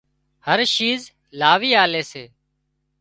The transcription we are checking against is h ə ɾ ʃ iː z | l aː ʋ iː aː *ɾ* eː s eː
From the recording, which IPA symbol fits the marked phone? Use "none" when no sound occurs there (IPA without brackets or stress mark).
l